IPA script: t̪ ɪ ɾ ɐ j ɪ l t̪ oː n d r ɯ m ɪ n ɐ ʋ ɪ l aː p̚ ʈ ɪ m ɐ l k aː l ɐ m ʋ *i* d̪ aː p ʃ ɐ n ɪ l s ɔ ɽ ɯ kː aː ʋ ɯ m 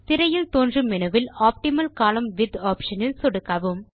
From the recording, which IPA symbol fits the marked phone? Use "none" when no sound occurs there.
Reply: ɪ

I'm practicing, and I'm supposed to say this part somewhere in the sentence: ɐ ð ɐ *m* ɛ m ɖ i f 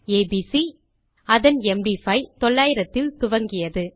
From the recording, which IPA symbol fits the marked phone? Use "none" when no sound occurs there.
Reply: n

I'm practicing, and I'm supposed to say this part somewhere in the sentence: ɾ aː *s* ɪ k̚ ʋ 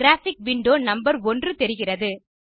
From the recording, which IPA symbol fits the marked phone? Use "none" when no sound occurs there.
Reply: f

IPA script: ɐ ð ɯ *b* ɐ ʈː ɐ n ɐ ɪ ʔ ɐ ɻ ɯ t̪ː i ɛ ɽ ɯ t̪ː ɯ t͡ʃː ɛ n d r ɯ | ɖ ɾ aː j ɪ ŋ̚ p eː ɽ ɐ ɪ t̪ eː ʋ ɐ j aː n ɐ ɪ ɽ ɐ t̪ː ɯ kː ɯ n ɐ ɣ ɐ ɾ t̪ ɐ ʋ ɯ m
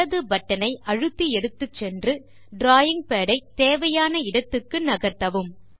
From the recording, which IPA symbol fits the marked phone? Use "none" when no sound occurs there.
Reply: b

